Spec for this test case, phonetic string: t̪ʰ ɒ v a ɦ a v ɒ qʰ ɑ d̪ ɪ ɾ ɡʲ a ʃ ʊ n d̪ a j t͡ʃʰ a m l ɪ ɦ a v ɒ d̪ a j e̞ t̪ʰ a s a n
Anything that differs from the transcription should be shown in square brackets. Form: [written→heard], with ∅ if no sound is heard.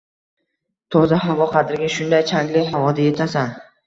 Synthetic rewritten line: t̪ʰ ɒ [v→z] a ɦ a v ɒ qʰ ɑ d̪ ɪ ɾ ɡʲ a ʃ ʊ n d̪ a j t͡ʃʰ a [m→ŋ] l ɪ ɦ a v ɒ d̪ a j e̞ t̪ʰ a s a n